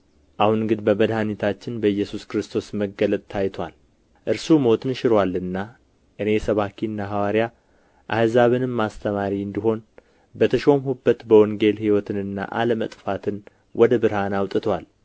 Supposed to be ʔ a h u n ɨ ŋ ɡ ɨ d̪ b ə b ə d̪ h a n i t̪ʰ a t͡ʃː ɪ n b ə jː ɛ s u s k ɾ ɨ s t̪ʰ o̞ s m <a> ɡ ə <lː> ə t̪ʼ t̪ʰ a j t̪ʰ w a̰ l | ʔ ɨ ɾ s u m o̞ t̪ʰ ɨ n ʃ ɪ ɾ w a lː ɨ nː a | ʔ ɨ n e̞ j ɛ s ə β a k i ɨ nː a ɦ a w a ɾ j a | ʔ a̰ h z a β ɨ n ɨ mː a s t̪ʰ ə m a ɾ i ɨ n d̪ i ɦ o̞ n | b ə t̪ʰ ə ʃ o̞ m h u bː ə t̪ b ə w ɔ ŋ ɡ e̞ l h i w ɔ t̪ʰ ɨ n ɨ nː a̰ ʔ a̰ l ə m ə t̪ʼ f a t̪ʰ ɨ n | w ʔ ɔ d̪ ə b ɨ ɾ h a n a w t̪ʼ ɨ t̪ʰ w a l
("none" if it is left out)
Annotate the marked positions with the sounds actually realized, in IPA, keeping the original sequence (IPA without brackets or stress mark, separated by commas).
ə, l